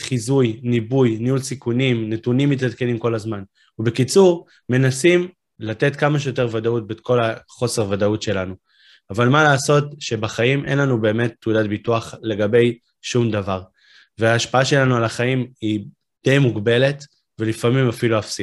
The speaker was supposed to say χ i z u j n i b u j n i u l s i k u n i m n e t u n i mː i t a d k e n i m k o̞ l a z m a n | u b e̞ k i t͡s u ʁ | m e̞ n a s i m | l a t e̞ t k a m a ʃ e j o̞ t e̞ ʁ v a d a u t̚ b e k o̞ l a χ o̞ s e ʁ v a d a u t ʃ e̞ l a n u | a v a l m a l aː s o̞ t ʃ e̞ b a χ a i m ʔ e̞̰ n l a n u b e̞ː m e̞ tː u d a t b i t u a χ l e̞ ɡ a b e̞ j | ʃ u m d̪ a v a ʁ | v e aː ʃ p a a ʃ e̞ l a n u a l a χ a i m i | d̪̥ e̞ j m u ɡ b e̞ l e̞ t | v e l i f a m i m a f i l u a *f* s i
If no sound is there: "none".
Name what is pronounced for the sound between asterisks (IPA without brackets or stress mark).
f